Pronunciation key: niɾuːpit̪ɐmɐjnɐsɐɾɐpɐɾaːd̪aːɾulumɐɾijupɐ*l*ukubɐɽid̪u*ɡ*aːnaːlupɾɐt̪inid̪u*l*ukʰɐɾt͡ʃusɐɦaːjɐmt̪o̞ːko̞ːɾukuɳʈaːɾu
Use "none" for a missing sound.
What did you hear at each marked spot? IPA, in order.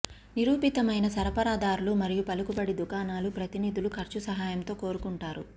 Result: l, k, l

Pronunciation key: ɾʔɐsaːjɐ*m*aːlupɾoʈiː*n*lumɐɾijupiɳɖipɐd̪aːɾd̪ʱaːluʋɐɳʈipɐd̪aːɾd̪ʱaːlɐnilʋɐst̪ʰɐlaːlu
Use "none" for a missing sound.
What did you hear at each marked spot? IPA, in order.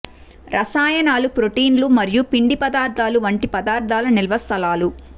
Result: n, n

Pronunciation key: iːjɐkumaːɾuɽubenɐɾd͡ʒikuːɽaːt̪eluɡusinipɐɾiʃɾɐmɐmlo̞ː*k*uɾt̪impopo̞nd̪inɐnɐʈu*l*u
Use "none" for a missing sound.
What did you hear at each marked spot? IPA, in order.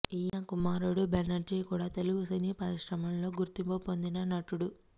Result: ɡ, ɽ

